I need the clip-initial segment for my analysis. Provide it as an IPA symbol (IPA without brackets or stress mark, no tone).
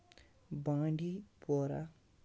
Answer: b